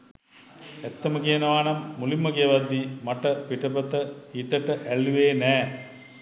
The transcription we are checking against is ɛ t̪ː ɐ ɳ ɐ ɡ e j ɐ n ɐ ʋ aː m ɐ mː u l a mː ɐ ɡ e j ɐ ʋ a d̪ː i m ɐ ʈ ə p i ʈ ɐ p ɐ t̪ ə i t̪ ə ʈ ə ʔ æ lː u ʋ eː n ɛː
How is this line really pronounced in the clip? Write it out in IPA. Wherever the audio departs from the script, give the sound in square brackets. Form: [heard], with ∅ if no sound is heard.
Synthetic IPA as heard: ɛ t̪ː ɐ [m] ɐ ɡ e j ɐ n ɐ ʋ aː [n] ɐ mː u l [i] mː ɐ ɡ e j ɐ ʋ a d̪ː i m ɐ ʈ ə p i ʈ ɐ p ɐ t̪ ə i t̪ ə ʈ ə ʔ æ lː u ʋ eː n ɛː

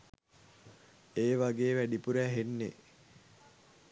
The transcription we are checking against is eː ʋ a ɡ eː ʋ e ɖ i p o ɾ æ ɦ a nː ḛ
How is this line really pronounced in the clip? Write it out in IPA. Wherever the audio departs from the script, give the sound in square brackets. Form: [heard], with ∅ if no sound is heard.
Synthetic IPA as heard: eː ʋ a ɡ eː ʋ [æ] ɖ i p [u] ɾ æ ɦ [e] nː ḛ

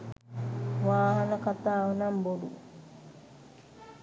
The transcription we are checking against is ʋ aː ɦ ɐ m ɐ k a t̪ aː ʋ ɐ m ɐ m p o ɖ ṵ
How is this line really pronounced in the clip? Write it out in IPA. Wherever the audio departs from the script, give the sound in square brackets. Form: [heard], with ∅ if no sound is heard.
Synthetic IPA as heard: ʋ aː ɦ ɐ [n] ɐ k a t̪ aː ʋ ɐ [n] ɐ m [b] o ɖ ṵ

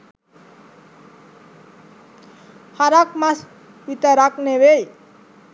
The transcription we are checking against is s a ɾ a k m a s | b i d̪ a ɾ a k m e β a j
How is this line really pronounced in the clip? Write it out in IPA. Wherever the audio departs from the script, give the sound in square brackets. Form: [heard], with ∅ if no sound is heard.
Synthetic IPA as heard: [h] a ɾ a k m a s | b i [t̪] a ɾ a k [n] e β [e] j

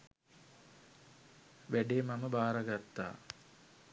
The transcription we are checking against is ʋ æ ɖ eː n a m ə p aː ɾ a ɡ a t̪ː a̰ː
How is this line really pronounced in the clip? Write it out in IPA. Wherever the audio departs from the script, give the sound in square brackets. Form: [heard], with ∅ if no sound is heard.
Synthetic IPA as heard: ʋ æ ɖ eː [m] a m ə [b] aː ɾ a ɡ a t̪ː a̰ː

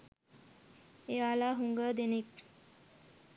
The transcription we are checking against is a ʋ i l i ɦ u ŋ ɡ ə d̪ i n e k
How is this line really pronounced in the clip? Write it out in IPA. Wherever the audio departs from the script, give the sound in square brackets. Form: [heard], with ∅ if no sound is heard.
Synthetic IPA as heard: [e] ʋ [a] l [a] ɦ u ŋ ɡ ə d̪ [e] n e k

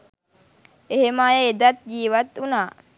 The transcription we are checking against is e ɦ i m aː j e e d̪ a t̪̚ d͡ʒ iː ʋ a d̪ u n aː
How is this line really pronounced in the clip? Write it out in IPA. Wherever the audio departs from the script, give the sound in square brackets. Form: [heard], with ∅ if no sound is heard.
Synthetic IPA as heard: e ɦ [e] m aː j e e d̪ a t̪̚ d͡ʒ iː ʋ a [t̪] u n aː

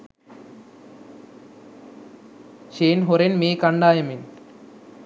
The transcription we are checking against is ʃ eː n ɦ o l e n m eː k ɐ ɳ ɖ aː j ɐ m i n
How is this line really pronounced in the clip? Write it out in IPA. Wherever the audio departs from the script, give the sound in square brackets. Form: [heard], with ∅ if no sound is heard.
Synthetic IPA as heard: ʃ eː n ɦ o [ɾ] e n m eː k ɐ ɳ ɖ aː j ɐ m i n

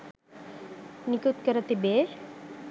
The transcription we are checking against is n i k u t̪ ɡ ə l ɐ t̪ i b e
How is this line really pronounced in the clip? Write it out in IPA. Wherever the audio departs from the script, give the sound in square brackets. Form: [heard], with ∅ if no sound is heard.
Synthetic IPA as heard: n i k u t̪ [k] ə [ɾ] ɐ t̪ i b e

